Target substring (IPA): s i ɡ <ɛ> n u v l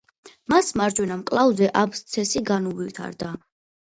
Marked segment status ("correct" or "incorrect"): incorrect